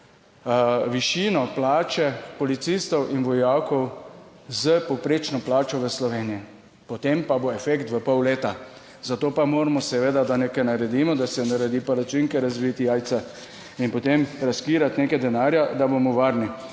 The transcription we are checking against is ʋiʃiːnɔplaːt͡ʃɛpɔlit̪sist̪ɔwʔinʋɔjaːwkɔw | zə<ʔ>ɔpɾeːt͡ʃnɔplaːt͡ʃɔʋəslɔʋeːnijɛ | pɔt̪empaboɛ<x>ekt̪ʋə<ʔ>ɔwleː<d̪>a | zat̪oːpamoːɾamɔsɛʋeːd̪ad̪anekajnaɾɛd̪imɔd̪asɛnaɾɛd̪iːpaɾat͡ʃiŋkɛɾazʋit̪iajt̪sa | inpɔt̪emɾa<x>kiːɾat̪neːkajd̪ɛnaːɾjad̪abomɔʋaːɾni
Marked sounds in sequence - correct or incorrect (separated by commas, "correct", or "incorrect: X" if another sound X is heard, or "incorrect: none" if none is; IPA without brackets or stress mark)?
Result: incorrect: p, incorrect: f, incorrect: p, incorrect: t̪, incorrect: s